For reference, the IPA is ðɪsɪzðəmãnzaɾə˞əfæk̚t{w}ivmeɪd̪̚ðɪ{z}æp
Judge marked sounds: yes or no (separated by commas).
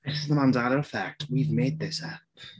yes, no